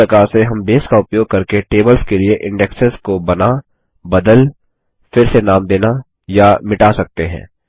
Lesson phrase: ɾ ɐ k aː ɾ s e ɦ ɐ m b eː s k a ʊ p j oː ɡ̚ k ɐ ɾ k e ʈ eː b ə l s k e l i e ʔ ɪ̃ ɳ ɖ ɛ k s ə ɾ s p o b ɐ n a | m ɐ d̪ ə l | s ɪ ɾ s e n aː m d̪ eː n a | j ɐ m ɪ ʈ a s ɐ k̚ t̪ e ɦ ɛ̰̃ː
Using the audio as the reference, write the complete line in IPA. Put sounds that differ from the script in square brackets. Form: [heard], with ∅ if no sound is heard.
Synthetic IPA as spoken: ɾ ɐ k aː ɾ s e ɦ ɐ m b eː s k a ʊ p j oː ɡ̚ k ɐ ɾ k e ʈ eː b ə l s k e l i e ʔ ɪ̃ ɳ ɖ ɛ k s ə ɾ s [k] o b ɐ n a | [b] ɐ d̪ ə l | [f] ɪ ɾ s e n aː m d̪ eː n a | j [a] m ɪ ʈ a s ɐ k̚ t̪ e ɦ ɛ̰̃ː